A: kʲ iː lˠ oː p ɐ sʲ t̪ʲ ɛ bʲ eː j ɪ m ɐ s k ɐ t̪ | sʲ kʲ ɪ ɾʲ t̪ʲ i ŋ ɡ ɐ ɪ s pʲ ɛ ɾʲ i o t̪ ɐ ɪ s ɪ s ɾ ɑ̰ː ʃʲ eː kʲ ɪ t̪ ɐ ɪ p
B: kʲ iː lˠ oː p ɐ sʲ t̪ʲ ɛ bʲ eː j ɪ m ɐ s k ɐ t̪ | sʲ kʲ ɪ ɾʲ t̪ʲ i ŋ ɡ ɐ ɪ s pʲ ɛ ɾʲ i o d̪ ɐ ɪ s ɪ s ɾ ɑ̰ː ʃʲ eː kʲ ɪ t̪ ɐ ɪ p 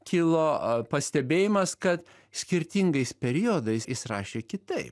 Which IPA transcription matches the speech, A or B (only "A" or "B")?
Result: B